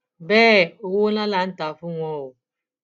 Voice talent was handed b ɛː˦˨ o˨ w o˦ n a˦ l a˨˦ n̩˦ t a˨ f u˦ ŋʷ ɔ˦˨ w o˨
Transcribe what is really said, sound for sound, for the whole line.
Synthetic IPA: b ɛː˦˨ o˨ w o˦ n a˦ l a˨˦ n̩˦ t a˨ f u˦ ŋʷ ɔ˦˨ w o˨